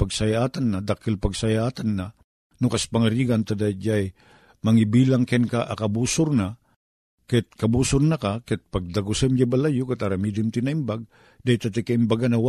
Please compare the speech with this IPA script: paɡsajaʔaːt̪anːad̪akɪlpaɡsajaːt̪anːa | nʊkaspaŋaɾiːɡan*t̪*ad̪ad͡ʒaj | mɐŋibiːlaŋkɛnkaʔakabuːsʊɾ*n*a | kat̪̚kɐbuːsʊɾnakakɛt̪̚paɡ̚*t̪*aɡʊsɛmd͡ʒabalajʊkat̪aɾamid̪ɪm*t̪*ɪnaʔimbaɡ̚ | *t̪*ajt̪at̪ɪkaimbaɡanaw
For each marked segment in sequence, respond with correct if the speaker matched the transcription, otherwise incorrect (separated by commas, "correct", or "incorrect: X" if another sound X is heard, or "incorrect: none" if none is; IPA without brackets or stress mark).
correct, correct, incorrect: d̪, correct, incorrect: d̪